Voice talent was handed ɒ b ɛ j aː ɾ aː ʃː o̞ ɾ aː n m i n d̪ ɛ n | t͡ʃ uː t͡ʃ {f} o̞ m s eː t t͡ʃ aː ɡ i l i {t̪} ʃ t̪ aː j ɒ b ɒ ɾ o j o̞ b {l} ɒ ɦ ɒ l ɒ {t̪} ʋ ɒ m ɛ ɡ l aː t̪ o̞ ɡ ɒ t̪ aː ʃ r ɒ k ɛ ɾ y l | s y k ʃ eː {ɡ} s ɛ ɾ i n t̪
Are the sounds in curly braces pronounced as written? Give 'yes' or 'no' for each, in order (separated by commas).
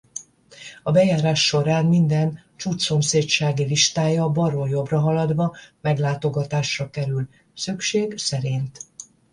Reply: no, no, no, no, yes